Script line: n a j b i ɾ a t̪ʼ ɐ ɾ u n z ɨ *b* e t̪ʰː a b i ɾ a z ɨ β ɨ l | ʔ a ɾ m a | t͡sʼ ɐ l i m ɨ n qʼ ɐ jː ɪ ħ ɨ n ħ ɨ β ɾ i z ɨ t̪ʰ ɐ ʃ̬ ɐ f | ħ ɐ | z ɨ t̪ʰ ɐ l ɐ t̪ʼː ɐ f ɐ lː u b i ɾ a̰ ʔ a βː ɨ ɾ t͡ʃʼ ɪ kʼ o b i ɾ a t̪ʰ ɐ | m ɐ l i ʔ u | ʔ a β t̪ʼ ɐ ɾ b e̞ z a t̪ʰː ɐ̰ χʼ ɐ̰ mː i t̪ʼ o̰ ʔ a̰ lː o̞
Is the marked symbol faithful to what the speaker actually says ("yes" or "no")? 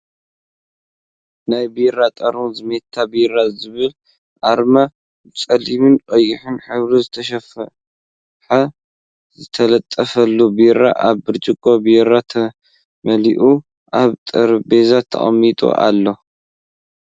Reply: no